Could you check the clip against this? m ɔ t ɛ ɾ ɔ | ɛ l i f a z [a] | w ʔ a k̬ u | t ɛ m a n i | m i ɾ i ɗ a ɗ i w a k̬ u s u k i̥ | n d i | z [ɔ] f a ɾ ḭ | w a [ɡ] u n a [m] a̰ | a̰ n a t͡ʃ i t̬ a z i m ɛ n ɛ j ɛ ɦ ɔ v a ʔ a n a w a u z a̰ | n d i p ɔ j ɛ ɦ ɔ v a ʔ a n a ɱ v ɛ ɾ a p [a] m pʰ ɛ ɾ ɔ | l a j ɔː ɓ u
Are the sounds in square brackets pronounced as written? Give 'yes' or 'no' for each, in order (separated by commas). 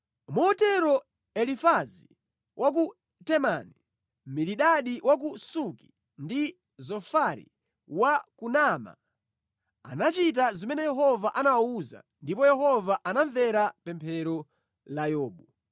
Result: no, yes, no, yes, no